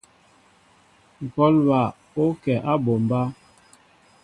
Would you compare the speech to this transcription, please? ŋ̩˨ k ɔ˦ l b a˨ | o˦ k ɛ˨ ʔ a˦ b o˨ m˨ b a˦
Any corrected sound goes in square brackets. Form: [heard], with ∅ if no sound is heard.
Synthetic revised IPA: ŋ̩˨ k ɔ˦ l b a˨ | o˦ k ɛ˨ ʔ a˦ b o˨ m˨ b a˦